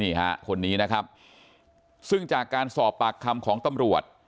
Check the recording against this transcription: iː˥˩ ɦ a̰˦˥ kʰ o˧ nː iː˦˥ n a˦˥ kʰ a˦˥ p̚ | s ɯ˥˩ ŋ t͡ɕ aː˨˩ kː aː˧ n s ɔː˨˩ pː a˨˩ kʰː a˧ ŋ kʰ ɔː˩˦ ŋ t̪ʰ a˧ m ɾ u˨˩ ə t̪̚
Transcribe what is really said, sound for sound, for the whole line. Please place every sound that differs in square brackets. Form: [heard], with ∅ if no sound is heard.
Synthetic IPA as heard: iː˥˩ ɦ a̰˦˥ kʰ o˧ nː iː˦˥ n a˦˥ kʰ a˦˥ p̚ | s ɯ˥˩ ŋ t͡ɕ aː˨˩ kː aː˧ n s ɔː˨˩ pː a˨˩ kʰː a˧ [m] kʰ ɔː˩˦ ŋ [t̪] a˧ m ɾ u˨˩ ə t̪̚